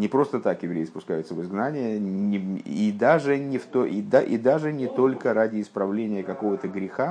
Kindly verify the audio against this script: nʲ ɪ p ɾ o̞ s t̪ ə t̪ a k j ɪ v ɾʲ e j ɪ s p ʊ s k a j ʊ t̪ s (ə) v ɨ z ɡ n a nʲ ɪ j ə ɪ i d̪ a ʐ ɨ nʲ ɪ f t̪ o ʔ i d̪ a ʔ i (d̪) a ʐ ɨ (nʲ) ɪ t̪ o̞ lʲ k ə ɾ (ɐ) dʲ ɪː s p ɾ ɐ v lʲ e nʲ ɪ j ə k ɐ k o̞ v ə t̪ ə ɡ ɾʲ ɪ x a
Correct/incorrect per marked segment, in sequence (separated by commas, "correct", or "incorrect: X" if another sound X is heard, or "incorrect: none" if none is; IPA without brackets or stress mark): correct, correct, correct, incorrect: a